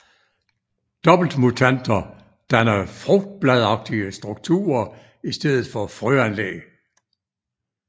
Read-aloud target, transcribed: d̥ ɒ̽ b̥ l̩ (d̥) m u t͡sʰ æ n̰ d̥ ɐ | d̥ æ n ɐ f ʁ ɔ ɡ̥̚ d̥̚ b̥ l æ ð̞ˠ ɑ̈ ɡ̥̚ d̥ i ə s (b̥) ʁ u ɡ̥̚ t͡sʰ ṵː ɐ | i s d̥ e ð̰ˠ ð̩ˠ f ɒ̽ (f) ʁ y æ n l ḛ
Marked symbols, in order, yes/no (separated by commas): yes, no, yes